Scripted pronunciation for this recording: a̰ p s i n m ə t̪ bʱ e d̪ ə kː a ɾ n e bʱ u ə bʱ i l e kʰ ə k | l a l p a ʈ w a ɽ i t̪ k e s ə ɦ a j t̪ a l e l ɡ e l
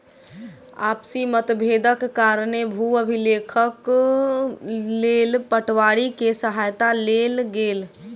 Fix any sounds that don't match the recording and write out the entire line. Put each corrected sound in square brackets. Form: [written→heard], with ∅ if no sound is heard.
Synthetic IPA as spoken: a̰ p s i [n→∅] m ə t̪ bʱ e d̪ ə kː a ɾ n e bʱ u ə bʱ i l e kʰ ə k | l [a→e] l p [a→ə] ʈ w a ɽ i [t̪→∅] k e s ə ɦ a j t̪ a l e l ɡ e l